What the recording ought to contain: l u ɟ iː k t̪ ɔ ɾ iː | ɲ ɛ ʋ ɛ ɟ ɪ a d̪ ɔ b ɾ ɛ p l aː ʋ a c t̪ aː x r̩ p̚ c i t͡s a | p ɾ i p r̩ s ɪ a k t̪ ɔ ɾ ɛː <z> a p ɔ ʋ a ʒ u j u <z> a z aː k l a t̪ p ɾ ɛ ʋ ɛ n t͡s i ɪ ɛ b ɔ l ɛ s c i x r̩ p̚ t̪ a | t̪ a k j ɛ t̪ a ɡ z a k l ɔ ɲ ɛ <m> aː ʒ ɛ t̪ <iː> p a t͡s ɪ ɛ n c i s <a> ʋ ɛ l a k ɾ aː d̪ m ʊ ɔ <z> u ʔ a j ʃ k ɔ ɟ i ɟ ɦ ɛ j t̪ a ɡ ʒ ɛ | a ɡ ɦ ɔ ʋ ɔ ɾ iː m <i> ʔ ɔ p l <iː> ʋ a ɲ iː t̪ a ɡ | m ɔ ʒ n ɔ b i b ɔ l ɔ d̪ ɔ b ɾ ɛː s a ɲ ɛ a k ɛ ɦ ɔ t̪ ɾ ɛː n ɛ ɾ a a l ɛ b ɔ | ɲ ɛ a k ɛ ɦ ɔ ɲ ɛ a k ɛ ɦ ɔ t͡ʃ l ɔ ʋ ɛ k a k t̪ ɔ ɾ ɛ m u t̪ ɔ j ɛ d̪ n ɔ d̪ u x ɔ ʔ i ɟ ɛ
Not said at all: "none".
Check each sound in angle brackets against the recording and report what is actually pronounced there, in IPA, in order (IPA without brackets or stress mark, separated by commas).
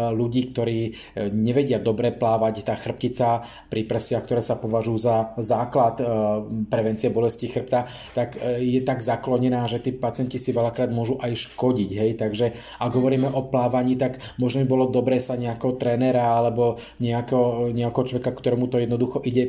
s, z, n, iː, i, ʒ, ɛ, aː